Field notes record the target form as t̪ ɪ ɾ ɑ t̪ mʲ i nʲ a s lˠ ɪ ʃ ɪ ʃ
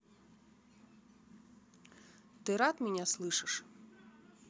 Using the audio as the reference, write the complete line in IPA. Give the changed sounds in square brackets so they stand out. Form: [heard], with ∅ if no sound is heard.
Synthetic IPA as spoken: t̪ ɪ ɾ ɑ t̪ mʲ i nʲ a s lˠ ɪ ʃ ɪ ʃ